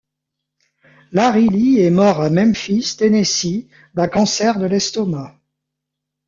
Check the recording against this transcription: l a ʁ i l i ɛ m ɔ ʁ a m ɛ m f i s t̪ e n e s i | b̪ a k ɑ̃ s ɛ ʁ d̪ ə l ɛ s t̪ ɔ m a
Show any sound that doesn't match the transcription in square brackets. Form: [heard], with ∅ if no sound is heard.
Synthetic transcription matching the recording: l a ʁ i l i ɛ m ɔ ʁ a m ɛ m f i s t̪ e n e s i | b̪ a k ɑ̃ s ɛ ʁ d̪ ə l ɛ s t̪ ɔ m a